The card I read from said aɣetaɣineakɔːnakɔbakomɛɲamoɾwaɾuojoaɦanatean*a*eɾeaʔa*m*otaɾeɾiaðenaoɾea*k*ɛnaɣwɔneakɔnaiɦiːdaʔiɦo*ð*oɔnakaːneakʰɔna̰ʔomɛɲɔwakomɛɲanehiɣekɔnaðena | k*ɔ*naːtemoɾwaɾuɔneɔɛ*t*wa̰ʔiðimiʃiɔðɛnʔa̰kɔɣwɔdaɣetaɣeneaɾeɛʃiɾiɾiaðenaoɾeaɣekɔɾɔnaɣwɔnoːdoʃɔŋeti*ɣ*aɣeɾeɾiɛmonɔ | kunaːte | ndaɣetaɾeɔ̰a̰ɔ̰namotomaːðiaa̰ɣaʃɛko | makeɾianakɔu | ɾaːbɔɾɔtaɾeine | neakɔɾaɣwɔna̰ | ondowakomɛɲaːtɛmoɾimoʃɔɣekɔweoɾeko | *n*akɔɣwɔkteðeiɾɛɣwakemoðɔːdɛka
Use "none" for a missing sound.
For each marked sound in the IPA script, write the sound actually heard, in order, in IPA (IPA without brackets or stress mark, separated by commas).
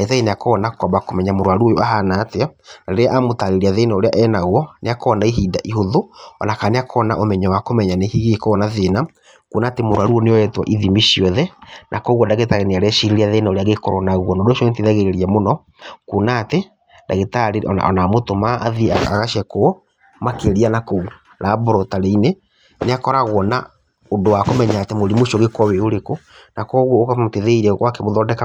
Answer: a, m, ʔ, ð, u, t, ð, n